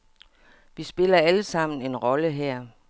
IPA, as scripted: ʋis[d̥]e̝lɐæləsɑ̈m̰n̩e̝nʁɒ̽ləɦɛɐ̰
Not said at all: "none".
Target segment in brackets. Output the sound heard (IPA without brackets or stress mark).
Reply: b̥